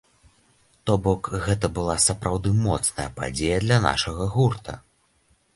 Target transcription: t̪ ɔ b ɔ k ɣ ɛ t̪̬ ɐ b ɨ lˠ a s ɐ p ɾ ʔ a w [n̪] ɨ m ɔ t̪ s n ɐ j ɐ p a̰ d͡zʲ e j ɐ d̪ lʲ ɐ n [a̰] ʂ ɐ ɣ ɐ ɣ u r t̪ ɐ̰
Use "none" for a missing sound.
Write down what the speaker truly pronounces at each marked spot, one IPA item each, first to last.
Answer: d̪, a̰

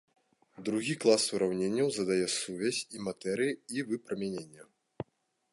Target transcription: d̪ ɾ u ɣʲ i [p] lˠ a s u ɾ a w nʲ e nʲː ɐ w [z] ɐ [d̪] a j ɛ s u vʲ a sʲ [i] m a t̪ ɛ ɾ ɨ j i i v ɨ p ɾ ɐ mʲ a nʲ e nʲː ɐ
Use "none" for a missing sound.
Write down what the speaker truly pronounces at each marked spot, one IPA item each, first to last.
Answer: k, z, d̪, i

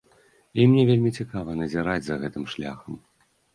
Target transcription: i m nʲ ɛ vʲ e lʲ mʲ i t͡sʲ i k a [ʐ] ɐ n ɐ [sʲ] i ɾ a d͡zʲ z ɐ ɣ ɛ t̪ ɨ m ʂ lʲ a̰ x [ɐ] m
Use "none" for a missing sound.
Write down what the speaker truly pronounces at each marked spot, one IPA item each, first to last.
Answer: v, zʲ, ɐ

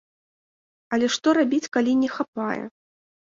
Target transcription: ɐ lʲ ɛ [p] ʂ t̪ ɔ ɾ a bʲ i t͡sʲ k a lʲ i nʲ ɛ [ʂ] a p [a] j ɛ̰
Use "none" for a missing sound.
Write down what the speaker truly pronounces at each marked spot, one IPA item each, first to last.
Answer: none, x, a

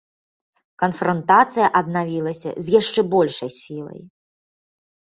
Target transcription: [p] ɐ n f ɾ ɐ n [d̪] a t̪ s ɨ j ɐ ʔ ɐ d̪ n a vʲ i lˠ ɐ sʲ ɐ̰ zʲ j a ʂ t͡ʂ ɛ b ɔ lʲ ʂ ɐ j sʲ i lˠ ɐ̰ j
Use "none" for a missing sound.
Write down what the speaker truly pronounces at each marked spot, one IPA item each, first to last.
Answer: k, t̪

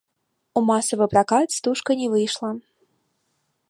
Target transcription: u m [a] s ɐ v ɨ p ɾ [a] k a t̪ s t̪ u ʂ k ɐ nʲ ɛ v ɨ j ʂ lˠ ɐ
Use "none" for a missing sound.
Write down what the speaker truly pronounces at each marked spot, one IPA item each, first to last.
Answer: a, a

